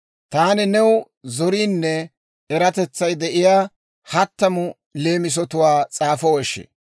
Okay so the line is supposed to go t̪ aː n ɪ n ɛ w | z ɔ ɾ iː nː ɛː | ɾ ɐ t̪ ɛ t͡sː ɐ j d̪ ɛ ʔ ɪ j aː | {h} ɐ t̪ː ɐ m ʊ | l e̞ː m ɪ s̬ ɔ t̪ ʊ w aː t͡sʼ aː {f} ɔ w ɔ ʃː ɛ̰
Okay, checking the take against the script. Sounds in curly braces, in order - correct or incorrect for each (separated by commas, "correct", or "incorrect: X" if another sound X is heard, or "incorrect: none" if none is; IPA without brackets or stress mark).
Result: correct, correct